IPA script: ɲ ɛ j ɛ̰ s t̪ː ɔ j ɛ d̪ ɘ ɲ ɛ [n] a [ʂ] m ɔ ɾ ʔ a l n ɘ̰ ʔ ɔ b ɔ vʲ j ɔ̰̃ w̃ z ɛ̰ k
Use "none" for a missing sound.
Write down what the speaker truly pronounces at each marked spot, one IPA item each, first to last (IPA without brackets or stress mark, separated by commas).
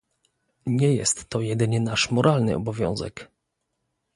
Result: n, ʂ